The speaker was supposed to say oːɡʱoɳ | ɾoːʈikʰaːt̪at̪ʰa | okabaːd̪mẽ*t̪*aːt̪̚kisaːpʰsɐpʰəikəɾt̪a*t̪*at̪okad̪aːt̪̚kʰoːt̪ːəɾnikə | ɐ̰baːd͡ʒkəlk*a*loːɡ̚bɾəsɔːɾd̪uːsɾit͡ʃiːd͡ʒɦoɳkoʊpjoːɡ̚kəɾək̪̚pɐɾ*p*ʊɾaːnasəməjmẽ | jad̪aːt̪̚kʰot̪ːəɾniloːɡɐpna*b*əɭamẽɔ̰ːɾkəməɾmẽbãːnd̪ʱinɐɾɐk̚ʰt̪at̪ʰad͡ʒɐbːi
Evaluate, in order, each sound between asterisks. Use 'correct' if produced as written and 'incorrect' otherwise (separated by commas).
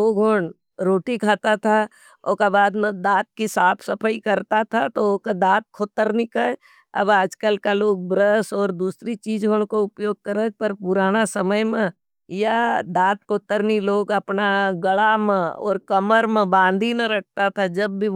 incorrect, incorrect, correct, correct, incorrect